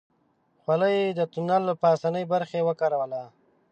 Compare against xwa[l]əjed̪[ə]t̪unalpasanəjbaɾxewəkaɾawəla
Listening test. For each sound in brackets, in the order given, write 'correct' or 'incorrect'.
correct, correct

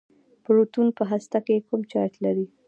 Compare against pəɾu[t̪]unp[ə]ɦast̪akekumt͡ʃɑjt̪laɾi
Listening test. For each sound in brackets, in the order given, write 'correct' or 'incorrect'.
correct, correct

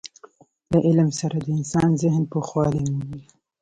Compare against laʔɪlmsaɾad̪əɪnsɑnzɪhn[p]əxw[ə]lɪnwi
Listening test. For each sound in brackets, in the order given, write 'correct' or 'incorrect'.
correct, incorrect

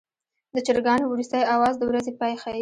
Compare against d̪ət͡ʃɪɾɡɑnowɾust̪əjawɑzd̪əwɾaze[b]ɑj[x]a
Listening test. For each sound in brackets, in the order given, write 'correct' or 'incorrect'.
incorrect, correct

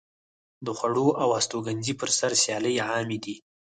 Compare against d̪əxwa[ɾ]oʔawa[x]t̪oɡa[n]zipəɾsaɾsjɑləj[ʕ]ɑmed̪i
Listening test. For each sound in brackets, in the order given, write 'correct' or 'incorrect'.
incorrect, incorrect, correct, correct

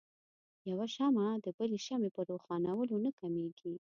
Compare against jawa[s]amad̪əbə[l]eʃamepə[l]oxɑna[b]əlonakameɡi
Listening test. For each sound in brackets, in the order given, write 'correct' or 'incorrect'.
incorrect, correct, incorrect, incorrect

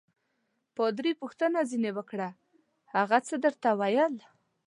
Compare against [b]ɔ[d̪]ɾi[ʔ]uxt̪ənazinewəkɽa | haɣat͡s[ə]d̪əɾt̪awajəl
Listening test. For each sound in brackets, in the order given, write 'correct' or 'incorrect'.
incorrect, correct, incorrect, correct

